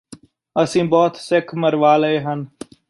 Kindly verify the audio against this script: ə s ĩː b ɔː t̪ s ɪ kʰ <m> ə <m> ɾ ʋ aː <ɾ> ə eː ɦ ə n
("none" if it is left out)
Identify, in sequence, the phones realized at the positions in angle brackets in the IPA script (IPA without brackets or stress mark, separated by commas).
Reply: m, none, l